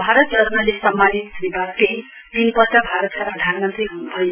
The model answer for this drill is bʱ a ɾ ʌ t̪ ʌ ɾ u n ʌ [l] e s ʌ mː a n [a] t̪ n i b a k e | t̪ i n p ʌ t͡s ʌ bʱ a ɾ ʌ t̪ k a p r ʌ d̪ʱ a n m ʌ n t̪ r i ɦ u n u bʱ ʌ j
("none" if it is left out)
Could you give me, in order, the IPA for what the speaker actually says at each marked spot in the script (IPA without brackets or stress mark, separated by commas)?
l, i